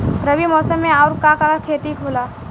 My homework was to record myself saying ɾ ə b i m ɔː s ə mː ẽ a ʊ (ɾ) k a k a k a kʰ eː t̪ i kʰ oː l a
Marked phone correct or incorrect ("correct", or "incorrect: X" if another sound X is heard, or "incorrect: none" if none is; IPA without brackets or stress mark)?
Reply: correct